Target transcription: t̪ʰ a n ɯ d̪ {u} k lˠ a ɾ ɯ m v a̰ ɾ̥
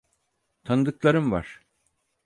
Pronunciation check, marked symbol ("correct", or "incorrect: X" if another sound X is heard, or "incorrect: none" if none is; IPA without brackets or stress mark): incorrect: ɯ